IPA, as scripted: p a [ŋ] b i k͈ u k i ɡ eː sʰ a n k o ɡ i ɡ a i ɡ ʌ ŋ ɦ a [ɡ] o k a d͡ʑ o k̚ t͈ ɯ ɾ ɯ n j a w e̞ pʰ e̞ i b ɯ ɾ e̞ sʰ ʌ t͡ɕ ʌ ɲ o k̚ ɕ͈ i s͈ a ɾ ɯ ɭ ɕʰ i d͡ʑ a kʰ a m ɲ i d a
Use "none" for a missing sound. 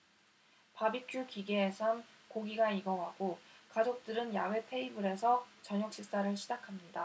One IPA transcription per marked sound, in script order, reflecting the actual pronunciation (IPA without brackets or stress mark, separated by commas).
none, ɡ